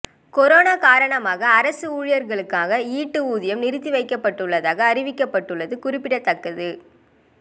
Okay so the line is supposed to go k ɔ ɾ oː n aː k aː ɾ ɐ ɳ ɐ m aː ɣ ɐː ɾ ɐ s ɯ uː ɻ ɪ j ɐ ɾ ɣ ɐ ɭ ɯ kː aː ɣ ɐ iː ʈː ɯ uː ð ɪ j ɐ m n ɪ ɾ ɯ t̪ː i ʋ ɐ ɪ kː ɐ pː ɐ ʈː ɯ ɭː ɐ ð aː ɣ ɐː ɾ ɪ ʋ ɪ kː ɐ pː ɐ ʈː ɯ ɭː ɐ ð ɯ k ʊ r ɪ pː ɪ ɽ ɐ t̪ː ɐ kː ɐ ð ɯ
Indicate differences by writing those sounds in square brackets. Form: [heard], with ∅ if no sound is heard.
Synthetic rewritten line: k ɔ ɾ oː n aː k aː ɾ ɐ ɳ ɐ m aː ɣ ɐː ɾ ɐ s ɯ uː ɻ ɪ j ɐ ɾ ɣ ɐ ɭ ɯ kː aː ɣ ɐ iː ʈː ɯ uː ð ɪ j ɐ m n ɪ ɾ ɯ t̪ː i ʋ ɐ ɪ kː ɐ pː ɐ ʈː ɯ ɭː ɐ ð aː ɣ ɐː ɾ ɪ ʋ ɪ kː ɐ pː ɐ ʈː ɯ ɭː ɐ ð ɯ k ʊ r ɪ pː ɪ ɽ ɐ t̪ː ɐ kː ɐ ð ɯ